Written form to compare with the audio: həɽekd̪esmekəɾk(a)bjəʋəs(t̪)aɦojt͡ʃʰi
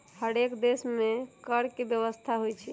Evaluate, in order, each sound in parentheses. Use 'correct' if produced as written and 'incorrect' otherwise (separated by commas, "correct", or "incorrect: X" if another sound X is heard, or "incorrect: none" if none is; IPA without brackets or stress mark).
incorrect: e, incorrect: t̪ʰ